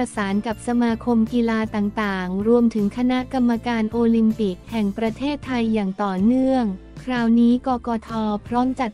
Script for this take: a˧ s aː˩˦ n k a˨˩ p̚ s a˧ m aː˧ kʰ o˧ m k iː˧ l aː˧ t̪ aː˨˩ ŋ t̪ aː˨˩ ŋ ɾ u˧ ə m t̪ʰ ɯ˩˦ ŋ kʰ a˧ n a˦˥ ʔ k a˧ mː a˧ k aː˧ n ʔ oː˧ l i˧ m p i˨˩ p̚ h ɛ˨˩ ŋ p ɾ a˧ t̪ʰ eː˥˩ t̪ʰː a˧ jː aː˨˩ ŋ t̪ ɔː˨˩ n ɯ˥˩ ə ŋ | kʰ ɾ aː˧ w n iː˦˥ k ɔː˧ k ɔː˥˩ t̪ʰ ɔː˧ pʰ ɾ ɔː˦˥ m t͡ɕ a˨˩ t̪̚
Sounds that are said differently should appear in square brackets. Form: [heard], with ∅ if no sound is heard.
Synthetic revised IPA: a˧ s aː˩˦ n k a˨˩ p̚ s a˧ m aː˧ kʰ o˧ m k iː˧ l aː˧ t̪ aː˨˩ ŋ t̪ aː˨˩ ŋ ɾ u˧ ə m t̪ʰ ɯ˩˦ ŋ kʰ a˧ n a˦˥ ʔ k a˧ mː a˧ k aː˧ n ʔ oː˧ l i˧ m p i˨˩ [k̚] h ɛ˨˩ ŋ p ɾ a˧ t̪ʰ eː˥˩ t̪ʰː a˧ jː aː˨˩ ŋ t̪ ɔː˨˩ n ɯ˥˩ ə ŋ | kʰ ɾ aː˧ w n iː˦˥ k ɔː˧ k [ɔː˧] t̪ʰ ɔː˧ pʰ ɾ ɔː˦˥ m t͡ɕ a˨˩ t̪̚

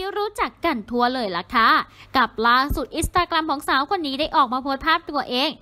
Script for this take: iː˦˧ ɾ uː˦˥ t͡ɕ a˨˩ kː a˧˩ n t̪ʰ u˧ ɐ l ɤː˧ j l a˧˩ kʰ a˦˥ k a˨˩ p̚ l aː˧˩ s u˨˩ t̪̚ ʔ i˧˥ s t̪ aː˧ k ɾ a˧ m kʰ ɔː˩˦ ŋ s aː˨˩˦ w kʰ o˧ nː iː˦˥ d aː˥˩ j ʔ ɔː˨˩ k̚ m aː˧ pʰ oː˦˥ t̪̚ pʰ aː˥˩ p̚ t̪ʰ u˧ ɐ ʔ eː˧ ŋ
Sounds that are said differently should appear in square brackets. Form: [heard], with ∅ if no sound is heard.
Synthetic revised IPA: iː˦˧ ɾ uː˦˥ t͡ɕ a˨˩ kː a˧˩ n t̪ʰ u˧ ɐ l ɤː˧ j l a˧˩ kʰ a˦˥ k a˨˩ p̚ l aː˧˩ s u˨˩ t̪̚ ʔ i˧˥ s t̪ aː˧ k ɾ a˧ m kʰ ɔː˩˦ ŋ s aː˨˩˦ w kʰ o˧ nː iː˦˥ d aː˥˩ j ʔ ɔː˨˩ k̚ m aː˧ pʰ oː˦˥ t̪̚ pʰ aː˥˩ p̚ [t̪] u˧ ɐ ʔ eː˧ ŋ

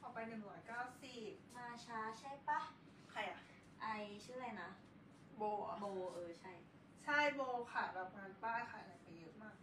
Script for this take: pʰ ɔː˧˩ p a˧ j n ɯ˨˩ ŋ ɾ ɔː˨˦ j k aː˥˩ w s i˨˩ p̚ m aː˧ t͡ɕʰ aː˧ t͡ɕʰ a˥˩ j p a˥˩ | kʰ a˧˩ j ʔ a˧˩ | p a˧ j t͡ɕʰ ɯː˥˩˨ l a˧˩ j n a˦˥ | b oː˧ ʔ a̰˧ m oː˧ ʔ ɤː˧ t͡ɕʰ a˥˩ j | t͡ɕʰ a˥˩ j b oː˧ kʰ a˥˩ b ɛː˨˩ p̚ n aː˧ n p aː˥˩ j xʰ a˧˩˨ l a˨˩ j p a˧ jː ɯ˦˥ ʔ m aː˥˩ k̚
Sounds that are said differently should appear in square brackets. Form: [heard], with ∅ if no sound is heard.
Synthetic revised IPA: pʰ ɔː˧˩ p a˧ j n ɯ˨˩ ŋ ɾ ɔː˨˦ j k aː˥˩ w s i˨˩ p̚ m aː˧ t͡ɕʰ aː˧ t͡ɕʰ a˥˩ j p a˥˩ | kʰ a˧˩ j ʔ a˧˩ | [ʔ] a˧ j t͡ɕʰ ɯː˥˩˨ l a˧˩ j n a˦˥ | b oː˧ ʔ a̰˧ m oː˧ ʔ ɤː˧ t͡ɕʰ a˥˩ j | t͡ɕʰ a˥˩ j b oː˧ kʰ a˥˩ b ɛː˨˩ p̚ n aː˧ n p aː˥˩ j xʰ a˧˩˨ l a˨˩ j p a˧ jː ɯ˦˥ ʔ m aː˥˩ k̚

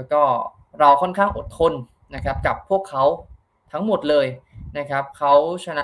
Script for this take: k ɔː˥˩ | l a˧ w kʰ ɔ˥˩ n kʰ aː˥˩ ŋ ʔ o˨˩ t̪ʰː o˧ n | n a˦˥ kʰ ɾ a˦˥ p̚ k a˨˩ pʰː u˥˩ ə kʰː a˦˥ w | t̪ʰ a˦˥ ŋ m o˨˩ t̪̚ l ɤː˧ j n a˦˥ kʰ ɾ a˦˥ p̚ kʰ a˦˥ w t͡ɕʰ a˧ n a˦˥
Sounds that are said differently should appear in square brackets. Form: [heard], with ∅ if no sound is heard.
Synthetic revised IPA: k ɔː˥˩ | [ɾ] a˧ w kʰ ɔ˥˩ n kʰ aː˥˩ ŋ ʔ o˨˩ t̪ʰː o˧ n | n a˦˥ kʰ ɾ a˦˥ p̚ k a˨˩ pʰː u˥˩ ə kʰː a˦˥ w | t̪ʰ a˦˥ ŋ m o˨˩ t̪̚ l ɤː˧ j n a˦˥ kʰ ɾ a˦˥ p̚ kʰ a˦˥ w t͡ɕʰ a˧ n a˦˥

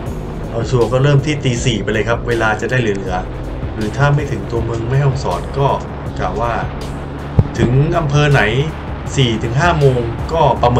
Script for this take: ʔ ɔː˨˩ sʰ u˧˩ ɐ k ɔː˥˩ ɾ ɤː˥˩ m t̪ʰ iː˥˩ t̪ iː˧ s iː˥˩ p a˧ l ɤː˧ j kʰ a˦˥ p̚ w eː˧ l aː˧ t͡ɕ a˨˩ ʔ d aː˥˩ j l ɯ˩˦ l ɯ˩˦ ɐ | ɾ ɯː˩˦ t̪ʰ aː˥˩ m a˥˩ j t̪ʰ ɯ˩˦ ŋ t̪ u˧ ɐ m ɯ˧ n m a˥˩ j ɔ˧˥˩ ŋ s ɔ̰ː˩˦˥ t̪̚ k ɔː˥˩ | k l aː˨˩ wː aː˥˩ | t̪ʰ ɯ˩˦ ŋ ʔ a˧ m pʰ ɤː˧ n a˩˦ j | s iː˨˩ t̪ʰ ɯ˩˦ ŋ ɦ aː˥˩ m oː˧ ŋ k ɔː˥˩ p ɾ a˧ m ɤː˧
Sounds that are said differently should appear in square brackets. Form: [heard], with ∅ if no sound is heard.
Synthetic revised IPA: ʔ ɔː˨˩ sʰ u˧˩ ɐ k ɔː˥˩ ɾ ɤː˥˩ m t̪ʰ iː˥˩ t̪ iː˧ s [iː˨˩] p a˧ l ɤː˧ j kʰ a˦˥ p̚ w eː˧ l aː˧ t͡ɕ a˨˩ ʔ d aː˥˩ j l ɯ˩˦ l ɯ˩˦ ɐ | ɾ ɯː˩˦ t̪ʰ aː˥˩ m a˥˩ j t̪ʰ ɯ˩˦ ŋ t̪ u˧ ɐ m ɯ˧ [ŋ] m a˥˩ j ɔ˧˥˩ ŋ s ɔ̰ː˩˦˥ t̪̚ k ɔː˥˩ | k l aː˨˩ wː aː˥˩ | t̪ʰ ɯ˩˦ ŋ ʔ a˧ m pʰ ɤː˧ n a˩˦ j | s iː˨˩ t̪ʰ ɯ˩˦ ŋ ɦ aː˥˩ m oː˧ ŋ k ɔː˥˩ p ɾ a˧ m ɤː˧

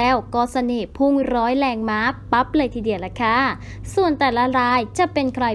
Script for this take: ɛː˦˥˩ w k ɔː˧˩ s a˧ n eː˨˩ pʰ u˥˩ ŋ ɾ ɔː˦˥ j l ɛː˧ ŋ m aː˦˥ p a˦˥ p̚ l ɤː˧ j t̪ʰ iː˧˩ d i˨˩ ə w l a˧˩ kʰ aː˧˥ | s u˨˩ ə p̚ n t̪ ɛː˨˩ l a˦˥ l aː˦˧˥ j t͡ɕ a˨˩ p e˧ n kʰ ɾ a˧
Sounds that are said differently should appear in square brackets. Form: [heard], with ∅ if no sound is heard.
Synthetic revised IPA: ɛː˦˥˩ w k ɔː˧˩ s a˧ n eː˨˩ pʰ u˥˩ ŋ ɾ ɔː˦˥ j l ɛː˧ ŋ m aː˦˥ p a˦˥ p̚ l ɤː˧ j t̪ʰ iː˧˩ d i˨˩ ə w l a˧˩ kʰ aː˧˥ | s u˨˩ ə [∅] n t̪ ɛː˨˩ l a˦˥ [ɾ] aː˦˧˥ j t͡ɕ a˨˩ p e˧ n kʰ ɾ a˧

